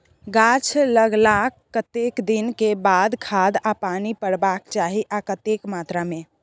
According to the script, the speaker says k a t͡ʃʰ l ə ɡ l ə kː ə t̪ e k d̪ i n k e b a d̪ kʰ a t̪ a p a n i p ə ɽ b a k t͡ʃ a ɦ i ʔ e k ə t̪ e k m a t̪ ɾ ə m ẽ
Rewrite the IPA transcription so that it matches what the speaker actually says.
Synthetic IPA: ɡ a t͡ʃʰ l ə ɡ l a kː ə t̪ e k d̪ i n k e b a d̪ kʰ a d̪ a p a n i p ə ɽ b a k t͡ʃ a ɦ i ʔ a k ə t̪ e k m a t̪ ɾ a m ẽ